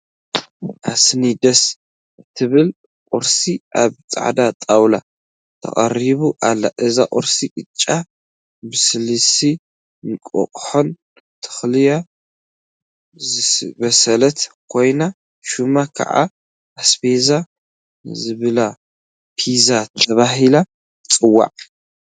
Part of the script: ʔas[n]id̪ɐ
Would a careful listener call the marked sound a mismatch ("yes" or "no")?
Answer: no